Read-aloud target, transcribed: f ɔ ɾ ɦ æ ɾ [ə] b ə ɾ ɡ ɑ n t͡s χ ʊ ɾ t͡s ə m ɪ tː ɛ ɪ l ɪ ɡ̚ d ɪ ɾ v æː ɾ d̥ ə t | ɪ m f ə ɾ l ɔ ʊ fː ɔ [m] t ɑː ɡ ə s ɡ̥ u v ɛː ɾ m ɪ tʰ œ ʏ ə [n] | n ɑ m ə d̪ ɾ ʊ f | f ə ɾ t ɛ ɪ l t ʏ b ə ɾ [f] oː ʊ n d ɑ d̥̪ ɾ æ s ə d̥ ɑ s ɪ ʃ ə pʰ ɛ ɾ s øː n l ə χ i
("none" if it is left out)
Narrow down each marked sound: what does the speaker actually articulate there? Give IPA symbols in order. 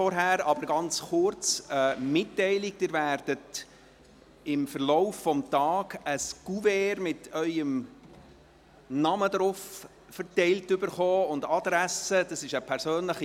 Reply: ɑ, m, m, χ

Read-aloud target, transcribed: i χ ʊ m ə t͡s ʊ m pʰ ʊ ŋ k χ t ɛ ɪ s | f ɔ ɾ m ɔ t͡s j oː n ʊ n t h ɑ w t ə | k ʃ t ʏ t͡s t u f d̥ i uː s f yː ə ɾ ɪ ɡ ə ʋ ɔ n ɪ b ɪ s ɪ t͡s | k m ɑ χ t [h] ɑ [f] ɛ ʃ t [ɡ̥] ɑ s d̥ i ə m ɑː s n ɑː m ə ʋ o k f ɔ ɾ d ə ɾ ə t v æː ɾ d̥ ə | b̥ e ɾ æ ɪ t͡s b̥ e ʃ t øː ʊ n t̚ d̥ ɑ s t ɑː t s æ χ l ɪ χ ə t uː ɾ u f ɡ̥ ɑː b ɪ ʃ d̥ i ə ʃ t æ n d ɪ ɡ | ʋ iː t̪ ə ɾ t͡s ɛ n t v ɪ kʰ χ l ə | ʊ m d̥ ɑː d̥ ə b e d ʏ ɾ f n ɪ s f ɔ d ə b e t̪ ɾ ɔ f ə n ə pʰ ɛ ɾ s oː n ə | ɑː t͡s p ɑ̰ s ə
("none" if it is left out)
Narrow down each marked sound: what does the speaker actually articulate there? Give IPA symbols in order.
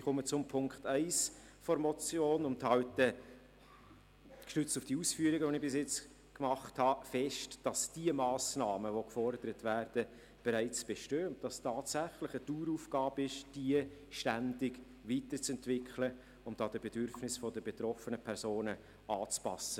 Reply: h, f, d̥

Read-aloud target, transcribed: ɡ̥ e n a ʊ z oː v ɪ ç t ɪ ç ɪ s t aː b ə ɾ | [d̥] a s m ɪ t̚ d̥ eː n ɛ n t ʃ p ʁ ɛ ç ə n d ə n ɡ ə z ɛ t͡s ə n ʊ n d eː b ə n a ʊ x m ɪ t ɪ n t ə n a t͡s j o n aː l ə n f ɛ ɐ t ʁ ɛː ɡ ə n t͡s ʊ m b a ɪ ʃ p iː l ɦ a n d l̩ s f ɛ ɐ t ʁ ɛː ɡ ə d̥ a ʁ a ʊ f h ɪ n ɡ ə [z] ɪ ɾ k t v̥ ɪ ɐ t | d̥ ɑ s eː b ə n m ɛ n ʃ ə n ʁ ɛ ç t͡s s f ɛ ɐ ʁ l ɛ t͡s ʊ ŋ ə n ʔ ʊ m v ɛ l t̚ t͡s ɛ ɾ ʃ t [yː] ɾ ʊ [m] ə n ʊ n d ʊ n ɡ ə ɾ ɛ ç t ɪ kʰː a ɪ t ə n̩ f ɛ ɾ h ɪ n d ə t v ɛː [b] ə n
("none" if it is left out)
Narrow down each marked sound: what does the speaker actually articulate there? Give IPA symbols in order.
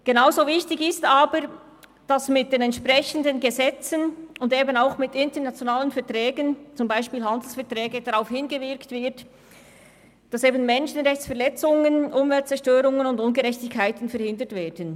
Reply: d̥, v, øː, ŋ, d

